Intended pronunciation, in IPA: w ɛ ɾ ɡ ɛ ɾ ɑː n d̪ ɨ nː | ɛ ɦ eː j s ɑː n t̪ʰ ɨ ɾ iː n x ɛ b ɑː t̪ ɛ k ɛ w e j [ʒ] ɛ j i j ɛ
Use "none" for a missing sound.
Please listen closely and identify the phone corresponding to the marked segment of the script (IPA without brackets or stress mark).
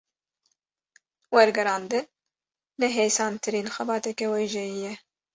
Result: ʒ